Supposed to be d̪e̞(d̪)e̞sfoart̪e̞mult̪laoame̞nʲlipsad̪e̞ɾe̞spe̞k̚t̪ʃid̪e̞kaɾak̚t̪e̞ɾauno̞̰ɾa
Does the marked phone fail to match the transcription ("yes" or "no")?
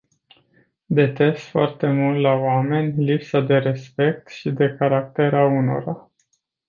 yes